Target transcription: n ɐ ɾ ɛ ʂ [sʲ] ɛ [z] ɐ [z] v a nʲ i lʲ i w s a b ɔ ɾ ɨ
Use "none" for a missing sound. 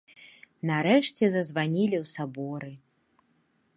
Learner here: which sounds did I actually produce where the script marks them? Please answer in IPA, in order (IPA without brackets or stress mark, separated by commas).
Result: t͡sʲ, z, z